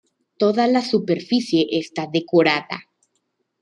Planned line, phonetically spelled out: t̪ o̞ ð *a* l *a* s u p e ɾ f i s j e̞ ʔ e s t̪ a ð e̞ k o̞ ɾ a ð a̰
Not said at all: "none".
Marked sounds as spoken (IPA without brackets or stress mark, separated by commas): a, a